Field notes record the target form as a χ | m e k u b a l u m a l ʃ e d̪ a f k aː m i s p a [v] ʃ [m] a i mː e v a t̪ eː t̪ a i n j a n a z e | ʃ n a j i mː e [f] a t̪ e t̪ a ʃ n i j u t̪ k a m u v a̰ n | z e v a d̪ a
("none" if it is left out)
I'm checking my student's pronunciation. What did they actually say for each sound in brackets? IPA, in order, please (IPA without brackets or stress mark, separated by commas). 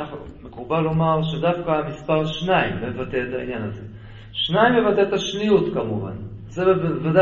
ʁ, n, v